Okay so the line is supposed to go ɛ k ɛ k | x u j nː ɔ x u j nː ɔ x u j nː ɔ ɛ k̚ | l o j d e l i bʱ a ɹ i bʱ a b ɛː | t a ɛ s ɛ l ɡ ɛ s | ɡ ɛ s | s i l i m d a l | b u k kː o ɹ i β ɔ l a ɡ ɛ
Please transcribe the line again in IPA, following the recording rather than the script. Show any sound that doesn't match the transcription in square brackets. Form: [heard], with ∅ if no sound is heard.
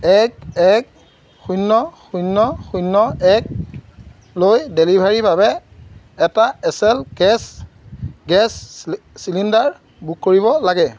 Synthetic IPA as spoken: ɛ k ɛ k | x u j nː ɔ x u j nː ɔ x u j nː ɔ ɛ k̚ | l o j d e l i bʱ a ɹ i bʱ a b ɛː | t a ɛ s ɛ l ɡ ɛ s | ɡ ɛ s | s i l i [n] d a [ɹ] | b u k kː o ɹ i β ɔ l a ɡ ɛ